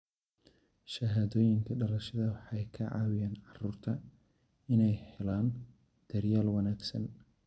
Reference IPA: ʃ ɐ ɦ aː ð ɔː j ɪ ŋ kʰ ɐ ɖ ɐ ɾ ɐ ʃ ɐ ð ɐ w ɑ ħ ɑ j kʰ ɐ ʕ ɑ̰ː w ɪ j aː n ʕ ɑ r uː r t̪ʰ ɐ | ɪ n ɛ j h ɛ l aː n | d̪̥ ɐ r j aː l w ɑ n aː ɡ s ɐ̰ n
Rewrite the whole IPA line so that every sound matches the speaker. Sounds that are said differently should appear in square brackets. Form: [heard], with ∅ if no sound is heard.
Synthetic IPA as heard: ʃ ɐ ɦ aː ð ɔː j ɪ ŋ kʰ ɐ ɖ ɐ [l] ɐ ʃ ɐ ð ɐ w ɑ ħ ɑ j kʰ ɐ ʕ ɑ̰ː w ɪ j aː n ʕ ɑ r uː r t̪ʰ ɐ | ɪ n ɛ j h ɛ l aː n | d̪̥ ɐ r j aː l w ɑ n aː ɡ s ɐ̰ n

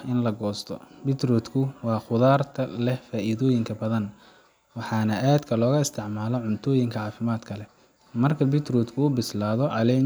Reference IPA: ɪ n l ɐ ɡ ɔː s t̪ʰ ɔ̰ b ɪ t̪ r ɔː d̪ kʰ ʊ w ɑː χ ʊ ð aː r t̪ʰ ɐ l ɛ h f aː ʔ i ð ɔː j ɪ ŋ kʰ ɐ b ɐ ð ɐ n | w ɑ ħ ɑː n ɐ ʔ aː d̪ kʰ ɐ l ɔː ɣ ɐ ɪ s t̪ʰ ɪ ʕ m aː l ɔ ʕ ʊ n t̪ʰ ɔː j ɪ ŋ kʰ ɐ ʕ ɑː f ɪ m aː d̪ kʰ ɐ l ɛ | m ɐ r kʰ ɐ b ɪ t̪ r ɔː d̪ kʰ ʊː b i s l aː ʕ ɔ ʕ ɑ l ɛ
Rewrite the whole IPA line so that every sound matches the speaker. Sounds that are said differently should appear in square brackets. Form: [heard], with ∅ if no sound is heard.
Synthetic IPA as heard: ɪ n l ɐ ɡ ɔː s t̪ʰ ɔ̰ b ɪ t̪ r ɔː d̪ kʰ ʊ w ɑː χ ʊ ð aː r t̪ʰ ɐ l ɛ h f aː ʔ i ð ɔː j ɪ ŋ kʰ ɐ b ɐ ð ɐ n | w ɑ ħ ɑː n ɐ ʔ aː d̪ kʰ ɐ l ɔː ɣ ɐ ɪ s t̪ʰ ɪ ʕ m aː l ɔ ʕ ʊ n t̪ʰ ɔː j ɪ ŋ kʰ ɐ ʕ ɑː f ɪ m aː d̪ kʰ ɐ l ɛ | m ɐ r kʰ ɐ b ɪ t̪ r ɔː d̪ kʰ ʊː b [ɪ] s l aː [ð] ɔ ʕ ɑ l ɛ

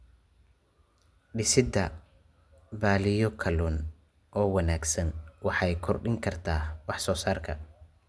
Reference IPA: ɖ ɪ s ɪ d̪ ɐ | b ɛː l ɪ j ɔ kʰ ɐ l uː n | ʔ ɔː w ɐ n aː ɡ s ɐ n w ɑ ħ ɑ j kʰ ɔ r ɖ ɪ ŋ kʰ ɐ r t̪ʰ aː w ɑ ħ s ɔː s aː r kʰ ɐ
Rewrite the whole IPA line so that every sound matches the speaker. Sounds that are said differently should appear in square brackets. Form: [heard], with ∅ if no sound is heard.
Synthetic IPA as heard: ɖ ɪ s ɪ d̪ ɐ | b [aː] l ɪ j ɔ kʰ ɐ l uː n | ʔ ɔː w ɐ n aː ɡ s ɐ n w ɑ ħ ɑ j kʰ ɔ r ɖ ɪ ŋ kʰ ɐ r t̪ʰ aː w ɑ ħ s ɔː s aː r kʰ ɐ

